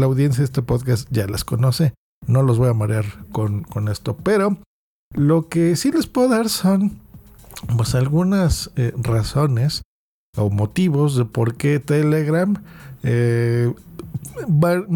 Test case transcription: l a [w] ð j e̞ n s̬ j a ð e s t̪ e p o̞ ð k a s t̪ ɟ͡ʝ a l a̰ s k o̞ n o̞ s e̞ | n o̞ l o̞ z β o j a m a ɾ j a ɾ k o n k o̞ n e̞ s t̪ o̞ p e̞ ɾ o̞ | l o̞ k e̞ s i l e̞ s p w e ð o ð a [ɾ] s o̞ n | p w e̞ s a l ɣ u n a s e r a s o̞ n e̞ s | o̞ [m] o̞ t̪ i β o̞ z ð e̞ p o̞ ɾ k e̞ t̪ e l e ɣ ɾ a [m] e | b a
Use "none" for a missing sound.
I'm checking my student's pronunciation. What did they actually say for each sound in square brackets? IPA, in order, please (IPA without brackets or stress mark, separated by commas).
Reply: w, ɾ, m, m